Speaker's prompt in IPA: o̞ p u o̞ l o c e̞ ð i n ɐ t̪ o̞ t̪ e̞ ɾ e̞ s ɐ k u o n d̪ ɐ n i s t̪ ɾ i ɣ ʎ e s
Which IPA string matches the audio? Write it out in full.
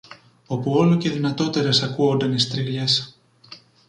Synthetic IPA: o̞ p u o̞ l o c e̞ ð i n ɐ t̪ o̞ t̪ e̞ ɾ e̞ s ɐ k u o n d̪ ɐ n i s t̪ ɾ i ɣ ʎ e s

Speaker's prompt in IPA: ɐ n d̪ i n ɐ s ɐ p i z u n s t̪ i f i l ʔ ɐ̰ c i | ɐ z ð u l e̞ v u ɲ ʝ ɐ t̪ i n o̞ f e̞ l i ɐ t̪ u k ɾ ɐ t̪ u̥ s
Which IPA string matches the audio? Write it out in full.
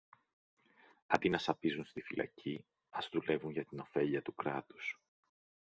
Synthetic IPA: ɐ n d̪ i n ɐ s ɐ p i z u n s t̪ i f i l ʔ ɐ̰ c i | ɐ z ð u l e̞ v u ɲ ʝ ɐ t̪ i n o̞ f e̞ ʎ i ɐ t̪ u k ɾ ɐ t̪ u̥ s

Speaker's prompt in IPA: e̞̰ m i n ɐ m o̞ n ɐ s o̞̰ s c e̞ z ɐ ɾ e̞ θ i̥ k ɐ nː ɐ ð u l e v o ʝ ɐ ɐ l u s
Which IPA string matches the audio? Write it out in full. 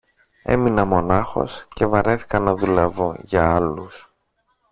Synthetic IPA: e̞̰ m i n ɐ m o̞ n ɐ x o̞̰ s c e̞ v ɐ ɾ e̞ θ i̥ k ɐ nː ɐ ð u l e v o ʝ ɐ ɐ l u s

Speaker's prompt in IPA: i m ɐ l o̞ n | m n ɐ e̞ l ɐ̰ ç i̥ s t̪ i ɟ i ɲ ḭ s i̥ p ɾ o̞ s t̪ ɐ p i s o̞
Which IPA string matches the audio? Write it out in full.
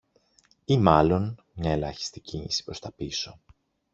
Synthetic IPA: i m ɐ l o̞ n | m ɲ ɐ e̞ l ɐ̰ ç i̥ s t̪ i c i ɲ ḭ s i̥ p ɾ o̞ s t̪ ɐ p i s o̞

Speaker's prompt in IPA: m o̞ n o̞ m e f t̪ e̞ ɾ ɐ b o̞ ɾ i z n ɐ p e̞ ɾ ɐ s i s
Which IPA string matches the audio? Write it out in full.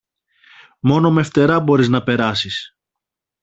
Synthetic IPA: m o̞ n o̞ m e f t̪ e̞ ɾ ɐ b o̞ ɾ i z n ɐ p e̞ ɾ ɐ s i s

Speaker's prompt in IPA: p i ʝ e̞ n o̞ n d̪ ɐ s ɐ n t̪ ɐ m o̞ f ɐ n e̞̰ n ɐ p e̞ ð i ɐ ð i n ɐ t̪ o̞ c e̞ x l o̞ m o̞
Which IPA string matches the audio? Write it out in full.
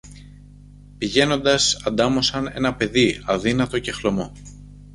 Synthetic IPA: p i ʝ e̞ n o̞ n d̪ ɐ s ɐ n d̪ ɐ m o̞ s ɐ n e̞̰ n ɐ p e̞ ð i ɐ ð i n ɐ t̪ o̞ c e̞ x l o̞ m o̞

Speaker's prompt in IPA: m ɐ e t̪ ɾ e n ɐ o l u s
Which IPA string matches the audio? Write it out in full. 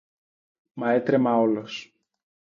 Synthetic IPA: m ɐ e t̪ ɾ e m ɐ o l o s

